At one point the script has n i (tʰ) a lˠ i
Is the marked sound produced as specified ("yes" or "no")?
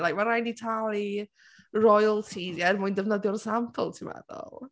yes